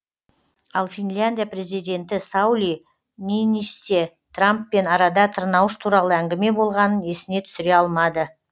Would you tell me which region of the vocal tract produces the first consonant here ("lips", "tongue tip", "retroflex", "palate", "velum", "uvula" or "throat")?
tongue tip